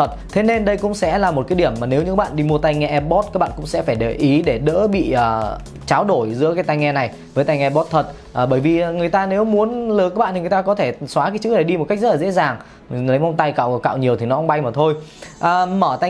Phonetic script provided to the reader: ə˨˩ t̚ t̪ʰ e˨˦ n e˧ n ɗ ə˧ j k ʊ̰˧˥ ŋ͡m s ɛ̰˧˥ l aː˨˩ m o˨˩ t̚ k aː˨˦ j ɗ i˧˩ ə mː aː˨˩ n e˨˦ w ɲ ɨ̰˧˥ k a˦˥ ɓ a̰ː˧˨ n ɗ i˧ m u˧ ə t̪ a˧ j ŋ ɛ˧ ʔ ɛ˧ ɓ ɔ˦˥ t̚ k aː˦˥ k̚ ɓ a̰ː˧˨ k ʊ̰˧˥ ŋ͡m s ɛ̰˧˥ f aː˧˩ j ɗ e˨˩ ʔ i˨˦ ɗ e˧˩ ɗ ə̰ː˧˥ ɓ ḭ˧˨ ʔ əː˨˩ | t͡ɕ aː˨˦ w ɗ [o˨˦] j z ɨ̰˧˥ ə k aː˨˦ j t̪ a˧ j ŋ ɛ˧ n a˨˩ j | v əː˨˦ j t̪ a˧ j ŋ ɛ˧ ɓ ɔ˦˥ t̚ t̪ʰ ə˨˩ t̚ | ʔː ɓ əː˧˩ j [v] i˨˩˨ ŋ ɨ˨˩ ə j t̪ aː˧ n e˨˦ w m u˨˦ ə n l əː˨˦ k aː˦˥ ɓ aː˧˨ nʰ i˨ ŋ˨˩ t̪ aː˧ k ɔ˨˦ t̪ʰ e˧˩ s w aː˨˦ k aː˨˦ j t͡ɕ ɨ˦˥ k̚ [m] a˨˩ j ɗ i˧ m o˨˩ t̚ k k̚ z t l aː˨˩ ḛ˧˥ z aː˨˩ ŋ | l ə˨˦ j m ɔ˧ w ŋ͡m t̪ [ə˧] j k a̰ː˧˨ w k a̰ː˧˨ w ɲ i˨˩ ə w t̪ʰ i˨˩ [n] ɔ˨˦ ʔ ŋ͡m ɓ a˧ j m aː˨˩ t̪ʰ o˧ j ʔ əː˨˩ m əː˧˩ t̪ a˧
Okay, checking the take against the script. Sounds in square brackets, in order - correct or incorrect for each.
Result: incorrect, correct, incorrect, incorrect, correct

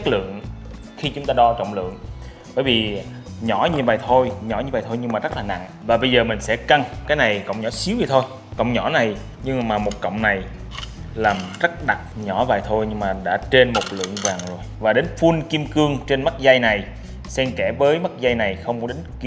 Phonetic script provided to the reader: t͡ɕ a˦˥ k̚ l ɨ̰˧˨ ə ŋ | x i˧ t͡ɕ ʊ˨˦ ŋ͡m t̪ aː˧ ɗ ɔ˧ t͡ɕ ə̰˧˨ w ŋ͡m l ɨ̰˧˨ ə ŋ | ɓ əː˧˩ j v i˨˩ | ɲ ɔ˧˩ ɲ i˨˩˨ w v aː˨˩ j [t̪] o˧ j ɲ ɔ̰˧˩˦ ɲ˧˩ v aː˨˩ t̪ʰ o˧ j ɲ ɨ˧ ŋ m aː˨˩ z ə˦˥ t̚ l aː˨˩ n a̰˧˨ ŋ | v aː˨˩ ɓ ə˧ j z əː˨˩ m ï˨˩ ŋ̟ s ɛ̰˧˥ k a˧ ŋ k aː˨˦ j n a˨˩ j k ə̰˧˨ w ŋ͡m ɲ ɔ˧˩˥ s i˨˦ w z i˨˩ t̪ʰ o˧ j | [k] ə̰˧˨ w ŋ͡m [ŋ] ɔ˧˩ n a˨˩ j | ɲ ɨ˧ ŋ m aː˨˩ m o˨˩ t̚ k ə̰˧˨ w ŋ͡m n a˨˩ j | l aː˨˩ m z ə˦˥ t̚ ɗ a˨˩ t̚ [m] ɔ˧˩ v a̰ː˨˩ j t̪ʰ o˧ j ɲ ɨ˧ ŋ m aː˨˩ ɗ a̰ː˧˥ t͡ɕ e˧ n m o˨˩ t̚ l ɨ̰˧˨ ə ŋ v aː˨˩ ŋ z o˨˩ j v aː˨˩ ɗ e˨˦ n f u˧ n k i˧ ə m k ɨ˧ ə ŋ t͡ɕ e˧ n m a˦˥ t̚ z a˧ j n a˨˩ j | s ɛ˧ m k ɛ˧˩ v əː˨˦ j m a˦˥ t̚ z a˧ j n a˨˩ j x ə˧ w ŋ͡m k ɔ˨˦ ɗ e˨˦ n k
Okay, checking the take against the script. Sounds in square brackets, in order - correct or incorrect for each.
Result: incorrect, correct, incorrect, incorrect

